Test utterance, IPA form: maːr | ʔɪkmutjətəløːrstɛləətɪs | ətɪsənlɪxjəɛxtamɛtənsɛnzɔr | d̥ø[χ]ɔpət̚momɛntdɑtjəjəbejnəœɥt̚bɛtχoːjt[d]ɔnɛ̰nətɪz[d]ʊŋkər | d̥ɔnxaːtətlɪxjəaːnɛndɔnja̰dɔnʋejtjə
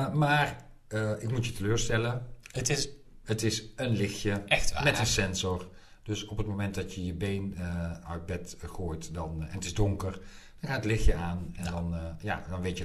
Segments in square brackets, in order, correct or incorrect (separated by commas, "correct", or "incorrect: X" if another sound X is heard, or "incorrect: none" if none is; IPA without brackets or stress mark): incorrect: s, correct, correct